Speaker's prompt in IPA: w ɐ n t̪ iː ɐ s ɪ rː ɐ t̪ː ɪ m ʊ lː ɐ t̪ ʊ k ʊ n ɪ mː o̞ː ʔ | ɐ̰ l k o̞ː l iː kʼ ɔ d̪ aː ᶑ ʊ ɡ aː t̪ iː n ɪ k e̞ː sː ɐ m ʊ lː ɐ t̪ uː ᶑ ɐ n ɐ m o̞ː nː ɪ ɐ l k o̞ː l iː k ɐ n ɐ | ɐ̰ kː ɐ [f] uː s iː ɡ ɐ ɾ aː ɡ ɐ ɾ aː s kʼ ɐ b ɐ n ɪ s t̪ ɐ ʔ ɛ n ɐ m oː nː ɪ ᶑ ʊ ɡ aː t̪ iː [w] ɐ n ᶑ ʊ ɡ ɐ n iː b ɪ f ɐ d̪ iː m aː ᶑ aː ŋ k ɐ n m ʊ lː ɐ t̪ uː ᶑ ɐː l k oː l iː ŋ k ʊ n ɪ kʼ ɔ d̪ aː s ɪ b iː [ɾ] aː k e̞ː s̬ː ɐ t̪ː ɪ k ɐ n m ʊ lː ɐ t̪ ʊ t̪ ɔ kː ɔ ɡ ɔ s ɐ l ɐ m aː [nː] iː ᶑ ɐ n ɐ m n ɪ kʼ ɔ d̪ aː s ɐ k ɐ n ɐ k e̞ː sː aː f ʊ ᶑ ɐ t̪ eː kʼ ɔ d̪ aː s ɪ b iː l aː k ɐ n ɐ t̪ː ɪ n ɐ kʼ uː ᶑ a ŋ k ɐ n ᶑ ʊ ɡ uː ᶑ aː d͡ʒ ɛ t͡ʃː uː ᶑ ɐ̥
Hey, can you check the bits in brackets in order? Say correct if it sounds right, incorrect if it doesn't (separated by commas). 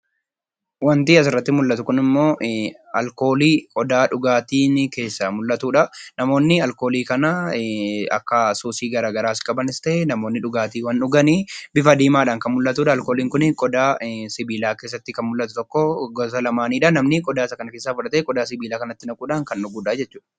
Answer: incorrect, correct, incorrect, incorrect